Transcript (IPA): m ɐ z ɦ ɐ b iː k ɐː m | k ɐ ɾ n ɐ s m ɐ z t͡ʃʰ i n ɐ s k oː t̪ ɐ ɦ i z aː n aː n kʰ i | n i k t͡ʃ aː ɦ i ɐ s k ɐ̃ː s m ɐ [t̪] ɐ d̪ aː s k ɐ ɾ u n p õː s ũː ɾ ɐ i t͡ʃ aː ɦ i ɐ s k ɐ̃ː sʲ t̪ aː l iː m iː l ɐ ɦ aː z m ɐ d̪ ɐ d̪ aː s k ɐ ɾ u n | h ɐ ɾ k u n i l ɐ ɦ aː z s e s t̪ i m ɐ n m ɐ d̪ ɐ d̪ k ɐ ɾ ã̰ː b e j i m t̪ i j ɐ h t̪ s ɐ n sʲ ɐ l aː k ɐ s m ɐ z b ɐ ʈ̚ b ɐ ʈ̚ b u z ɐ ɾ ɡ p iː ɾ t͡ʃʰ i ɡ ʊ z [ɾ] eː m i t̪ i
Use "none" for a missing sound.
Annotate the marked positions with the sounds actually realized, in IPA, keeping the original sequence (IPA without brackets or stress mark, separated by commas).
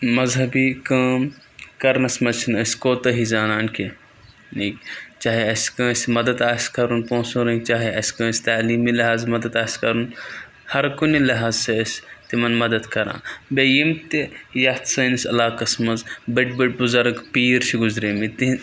d̪, ɾ